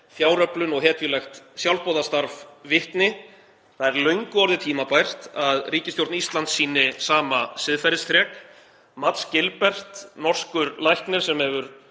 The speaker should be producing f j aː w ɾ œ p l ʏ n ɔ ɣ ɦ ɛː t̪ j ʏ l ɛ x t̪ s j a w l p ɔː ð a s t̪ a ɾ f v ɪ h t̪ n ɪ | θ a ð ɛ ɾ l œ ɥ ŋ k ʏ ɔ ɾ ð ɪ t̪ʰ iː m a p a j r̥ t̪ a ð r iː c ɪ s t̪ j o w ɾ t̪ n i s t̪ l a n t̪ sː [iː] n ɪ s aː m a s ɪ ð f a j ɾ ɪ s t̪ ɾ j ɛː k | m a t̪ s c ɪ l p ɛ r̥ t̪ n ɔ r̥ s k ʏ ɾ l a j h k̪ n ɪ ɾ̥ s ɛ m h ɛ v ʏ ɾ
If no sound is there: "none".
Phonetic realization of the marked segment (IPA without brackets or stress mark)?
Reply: iː